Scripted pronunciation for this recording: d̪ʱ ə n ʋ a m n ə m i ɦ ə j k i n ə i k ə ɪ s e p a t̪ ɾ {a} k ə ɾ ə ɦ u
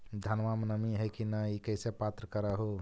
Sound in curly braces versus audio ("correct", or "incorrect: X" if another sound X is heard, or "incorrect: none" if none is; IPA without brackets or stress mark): incorrect: ə